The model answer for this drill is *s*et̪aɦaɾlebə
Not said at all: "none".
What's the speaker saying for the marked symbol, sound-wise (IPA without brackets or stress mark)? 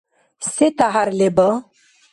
s